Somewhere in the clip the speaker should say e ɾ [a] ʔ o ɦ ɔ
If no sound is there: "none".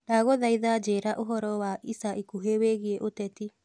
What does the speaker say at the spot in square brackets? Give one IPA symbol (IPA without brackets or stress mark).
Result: a